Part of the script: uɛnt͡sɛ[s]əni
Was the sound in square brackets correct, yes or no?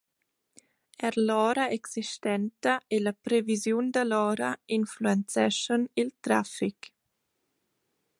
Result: no